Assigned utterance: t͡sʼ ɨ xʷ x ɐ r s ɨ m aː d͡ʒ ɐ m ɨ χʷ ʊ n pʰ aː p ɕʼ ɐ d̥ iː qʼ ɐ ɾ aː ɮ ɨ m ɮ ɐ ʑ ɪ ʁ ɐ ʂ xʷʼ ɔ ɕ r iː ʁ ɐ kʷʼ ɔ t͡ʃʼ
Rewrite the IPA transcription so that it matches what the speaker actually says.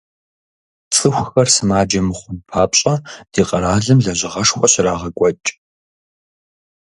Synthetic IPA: t͡sʼ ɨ xʷ x ɐ r s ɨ m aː d͡ʒ ɐ m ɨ χʷ ʊ n pʰ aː p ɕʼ ɐ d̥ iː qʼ ɐ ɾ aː ɮ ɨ m ɮ ɐ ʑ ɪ ʁ ɐ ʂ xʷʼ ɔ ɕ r aː ʁ ɐ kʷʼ ɔ t͡ʃʼ